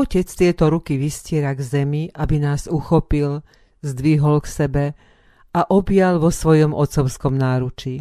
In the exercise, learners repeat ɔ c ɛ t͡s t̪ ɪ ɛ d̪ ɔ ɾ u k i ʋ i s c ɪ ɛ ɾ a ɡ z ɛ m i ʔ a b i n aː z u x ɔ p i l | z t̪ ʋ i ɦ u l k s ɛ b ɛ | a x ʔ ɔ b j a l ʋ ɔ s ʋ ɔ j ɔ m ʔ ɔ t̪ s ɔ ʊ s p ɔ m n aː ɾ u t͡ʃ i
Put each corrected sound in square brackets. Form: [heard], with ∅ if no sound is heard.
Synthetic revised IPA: ɔ c ɛ t͡s t̪ ɪ ɛ [t̪] ɔ ɾ u k i ʋ i s c ɪ ɛ ɾ a ɡ z ɛ m i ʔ a b i n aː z u x ɔ p i l | z [d̪] ʋ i ɦ [ɔ] l k s ɛ b ɛ | a [∅] ʔ ɔ b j a l ʋ ɔ s ʋ ɔ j ɔ m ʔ ɔ t̪ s ɔ ʊ s [k] ɔ m n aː ɾ u t͡ʃ i